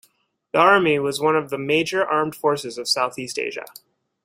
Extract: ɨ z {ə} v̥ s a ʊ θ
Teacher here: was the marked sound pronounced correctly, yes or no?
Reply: no